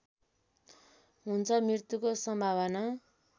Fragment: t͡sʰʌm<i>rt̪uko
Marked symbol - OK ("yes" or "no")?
yes